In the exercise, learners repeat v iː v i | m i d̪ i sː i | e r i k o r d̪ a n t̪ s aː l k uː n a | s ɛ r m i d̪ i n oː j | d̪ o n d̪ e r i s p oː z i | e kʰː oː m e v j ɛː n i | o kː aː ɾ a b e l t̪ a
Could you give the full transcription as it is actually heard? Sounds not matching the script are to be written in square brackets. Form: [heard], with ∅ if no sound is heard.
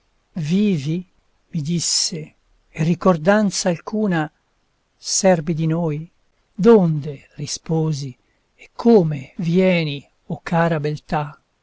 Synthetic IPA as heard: v iː v i | m i d̪ i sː [e] | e r i k o r d̪ a n t̪ s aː l k uː n a | s ɛ r [b] i d̪ i n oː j | d̪ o n d̪ e r i s p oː z i | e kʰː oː m e v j ɛː n i | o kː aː ɾ a b e l t̪ a

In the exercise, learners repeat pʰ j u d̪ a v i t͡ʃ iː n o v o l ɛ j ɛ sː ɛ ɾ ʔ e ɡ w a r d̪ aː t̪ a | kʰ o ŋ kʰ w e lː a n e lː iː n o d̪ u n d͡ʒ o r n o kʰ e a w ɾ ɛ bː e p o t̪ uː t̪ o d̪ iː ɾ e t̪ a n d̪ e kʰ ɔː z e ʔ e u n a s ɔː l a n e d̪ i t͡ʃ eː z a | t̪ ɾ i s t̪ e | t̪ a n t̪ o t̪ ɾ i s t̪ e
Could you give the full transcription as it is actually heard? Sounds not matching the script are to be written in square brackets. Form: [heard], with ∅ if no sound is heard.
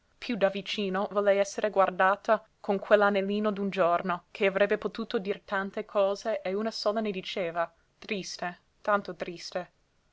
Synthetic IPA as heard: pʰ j u d̪ a v i t͡ʃ iː n o v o l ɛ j ɛ sː [e] ɾ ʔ e ɡ w a r d̪ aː t̪ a | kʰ o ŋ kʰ w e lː a n e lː iː n o d̪ u n d͡ʒ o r n o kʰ e a [v] ɾ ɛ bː e p o t̪ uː t̪ o d̪ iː ɾ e t̪ a n [t̪] e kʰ ɔː z e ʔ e u n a s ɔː l a n e d̪ i t͡ʃ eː [v] a | t̪ ɾ i s t̪ e | t̪ a n t̪ o t̪ ɾ i s t̪ e

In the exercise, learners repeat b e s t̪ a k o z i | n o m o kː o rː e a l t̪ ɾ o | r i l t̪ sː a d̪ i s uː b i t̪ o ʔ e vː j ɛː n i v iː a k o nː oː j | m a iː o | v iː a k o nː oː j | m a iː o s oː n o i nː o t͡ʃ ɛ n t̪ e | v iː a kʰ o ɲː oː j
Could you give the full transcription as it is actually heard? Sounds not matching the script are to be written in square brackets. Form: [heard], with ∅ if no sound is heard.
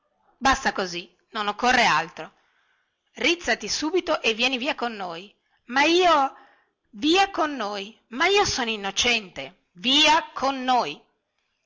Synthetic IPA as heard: b [a] s t̪ a k o z i | n o [n] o kː o rː e a l t̪ ɾ o | r i [∅] t̪ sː a [t̪] i s uː b i t̪ o ʔ e vː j ɛː n i v iː a k o nː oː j | m a iː o | v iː a k o nː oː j | m a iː o s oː n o i nː o t͡ʃ ɛ n t̪ e | v iː a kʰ o [nː] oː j

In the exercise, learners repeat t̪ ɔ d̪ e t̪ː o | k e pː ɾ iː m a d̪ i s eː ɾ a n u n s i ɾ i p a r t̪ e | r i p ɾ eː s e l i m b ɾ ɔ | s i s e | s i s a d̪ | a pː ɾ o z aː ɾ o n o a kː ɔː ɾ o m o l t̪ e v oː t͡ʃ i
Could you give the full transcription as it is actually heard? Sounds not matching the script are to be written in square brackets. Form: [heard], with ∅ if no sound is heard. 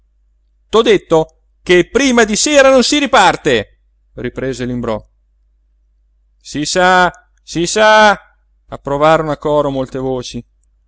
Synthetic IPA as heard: t̪ ɔ d̪ e t̪ː o | k e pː ɾ iː m a d̪ i s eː ɾ a n [o] n s i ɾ i p a r t̪ e | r i p ɾ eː [z] e l i m b ɾ ɔ | s i s [a] | s i s a [∅] | a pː ɾ o [v] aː ɾ o n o a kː ɔː ɾ o m o l t̪ e v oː t͡ʃ i

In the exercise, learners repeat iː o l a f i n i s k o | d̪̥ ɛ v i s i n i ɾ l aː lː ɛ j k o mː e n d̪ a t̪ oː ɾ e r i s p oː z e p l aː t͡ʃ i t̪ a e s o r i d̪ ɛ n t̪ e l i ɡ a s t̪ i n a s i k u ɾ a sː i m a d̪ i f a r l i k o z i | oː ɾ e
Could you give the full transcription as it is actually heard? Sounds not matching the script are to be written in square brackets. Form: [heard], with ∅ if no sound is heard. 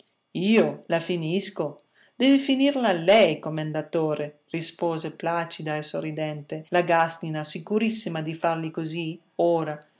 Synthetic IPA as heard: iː o l a f i n i s k o | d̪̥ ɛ v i [f] i n i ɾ l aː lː ɛ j k o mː e n d̪ a t̪ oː ɾ e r i s p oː z e p l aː t͡ʃ i [d̪] a e s o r i d̪ ɛ n t̪ e l [a] ɡ a s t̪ i n a s i k u ɾ [i] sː i m a d̪ i f a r l i k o z i | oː ɾ [a]

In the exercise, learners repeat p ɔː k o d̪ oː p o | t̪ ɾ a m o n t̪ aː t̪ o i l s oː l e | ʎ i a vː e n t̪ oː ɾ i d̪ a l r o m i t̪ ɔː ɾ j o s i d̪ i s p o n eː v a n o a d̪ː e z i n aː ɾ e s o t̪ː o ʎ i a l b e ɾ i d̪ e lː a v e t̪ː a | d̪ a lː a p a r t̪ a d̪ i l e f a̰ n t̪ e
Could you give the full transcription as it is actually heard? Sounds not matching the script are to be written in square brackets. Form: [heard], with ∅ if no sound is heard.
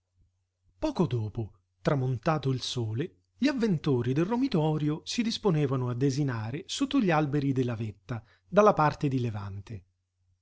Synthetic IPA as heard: p ɔː k o d̪ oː p o | t̪ ɾ a m o n t̪ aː t̪ o i l s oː l e | ʎ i a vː e n t̪ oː ɾ i d̪ [e] l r o m i t̪ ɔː ɾ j o s i d̪ i s p o n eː v a n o a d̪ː e z i n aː ɾ e s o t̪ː o ʎ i a l b e ɾ i d̪ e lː a v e t̪ː a | d̪ a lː a p a r t̪ [e] d̪ i l e [v] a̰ n t̪ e

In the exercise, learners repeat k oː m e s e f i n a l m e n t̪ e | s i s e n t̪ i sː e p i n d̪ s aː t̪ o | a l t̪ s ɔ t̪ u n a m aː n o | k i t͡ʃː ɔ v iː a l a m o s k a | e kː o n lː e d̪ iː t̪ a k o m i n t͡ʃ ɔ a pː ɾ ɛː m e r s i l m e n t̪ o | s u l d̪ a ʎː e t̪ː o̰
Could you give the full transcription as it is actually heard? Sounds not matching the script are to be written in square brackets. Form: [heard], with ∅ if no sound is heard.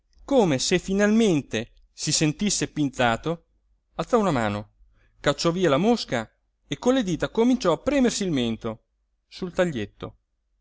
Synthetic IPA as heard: k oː m e s e f i n a l m e n t̪ e | s i s e n t̪ i sː e p i n [t̪] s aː t̪ o | a l t̪ s ɔ [∅] u n a m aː n o | k [a] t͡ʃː ɔ v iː a l a m o s k a | e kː o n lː e d̪ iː t̪ a k o m i n t͡ʃ ɔ a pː ɾ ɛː m e r s i l m e n t̪ o | s u l [t̪] a ʎː e t̪ː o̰

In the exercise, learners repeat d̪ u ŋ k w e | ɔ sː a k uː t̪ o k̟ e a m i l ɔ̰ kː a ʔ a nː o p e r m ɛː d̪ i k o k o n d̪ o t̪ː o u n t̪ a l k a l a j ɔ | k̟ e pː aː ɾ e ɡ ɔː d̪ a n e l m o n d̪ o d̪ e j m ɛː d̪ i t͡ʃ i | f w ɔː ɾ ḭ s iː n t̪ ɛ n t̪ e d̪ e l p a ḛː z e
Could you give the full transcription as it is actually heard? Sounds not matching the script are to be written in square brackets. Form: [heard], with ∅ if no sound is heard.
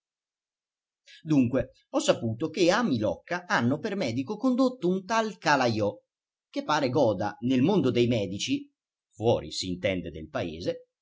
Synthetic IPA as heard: d̪ u ŋ k w e | ɔ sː a [p] uː t̪ o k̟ e a m i l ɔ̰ kː a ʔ a nː o p e r m ɛː d̪ i k o k o n d̪ o t̪ː o u n t̪ a l k a l a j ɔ | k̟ e pː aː ɾ e ɡ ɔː d̪ a n e l m o n d̪ o d̪ e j m ɛː d̪ i t͡ʃ i | f w ɔː ɾ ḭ s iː n t̪ ɛ n [d̪] e d̪ e l p a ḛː z e

